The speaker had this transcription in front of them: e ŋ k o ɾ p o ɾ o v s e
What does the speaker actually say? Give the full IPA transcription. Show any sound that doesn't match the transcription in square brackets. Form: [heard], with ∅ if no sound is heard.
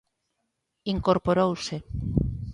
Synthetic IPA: [i] ŋ k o ɾ p o ɾ o [w] s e

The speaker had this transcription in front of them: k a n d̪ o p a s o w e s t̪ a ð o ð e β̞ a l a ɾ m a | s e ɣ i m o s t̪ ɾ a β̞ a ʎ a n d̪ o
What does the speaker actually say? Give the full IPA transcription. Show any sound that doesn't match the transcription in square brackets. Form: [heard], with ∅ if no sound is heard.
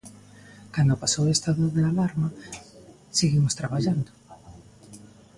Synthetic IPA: k a n d̪ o p a s o w e s t̪ a ð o ð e [∅] a l a ɾ m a | s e ɣ i m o s t̪ ɾ a β̞ a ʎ a n d̪ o

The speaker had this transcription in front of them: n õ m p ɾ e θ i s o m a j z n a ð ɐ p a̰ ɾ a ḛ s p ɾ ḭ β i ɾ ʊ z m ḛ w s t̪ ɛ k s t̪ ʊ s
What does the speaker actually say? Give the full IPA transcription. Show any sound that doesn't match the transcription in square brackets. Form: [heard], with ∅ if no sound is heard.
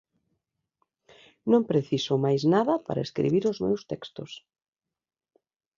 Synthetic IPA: n õ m p ɾ e θ i s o m a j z n a ð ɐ p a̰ ɾ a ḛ s [k] ɾ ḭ β i ɾ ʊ z m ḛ w s t̪ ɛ k s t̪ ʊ s

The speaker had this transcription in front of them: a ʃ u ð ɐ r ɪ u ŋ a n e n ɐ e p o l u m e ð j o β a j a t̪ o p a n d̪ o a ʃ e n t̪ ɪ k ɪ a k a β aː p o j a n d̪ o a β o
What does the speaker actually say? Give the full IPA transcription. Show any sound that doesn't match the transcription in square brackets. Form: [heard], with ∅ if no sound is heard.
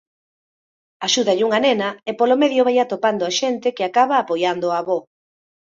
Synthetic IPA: a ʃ u ð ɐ [ʎ] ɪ u ŋ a n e n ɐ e p o l [o] m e ð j o β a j a t̪ o p a n d̪ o a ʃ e n t̪ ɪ k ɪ a k a β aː p o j a n d̪ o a β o

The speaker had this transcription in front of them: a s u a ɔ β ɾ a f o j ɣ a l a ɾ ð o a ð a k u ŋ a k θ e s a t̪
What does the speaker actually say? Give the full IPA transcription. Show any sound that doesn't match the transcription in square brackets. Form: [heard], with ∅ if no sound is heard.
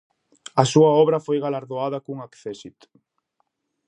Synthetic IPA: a s u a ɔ β ɾ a f o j ɣ a l a ɾ ð o a ð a k u ŋ a k θ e s [i] t̪

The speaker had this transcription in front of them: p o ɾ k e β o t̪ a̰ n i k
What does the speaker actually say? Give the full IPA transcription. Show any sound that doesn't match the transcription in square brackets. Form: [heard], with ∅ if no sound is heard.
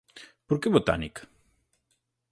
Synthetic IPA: p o ɾ k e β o t̪ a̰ n i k

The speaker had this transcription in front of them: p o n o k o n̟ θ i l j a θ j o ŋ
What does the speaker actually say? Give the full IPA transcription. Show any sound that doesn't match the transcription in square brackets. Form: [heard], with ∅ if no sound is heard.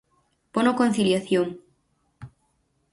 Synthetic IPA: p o n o k o n̟ θ i l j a θ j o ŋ

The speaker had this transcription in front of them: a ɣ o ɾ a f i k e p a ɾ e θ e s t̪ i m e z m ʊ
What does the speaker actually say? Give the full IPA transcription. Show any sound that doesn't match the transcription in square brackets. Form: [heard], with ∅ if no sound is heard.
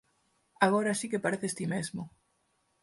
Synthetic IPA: a ɣ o ɾ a [s] i k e p a ɾ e θ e s t̪ i m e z m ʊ

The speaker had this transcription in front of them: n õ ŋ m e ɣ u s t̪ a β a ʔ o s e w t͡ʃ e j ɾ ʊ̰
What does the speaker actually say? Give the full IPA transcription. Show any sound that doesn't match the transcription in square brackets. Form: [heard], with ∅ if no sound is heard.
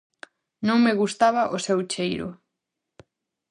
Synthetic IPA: n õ ŋ m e ɣ u s t̪ a β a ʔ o s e w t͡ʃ e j ɾ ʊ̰

